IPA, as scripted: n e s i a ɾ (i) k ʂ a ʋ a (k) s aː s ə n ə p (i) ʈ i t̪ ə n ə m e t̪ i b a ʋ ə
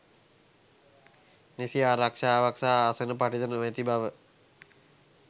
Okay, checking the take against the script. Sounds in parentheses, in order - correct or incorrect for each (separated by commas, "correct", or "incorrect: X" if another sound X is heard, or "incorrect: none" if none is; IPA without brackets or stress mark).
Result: incorrect: a, correct, incorrect: a